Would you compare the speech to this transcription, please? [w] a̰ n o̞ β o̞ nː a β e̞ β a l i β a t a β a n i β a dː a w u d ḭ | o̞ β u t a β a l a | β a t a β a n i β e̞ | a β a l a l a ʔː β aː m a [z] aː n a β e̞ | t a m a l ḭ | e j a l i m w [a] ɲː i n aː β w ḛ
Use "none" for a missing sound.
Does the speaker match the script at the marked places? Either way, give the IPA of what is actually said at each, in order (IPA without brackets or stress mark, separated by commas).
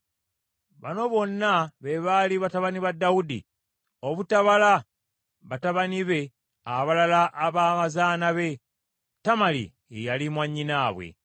β, z, a